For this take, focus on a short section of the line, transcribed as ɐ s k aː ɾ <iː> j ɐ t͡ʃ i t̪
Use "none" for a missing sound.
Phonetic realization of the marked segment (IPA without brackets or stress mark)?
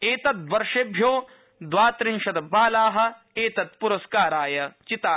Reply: aː